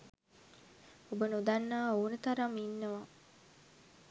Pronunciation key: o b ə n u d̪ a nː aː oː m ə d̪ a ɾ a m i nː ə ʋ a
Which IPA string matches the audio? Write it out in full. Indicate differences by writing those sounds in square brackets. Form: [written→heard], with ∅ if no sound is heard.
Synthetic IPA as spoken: o b ə n u d̪ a nː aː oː [m→n] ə [d̪→t̪] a ɾ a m i nː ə ʋ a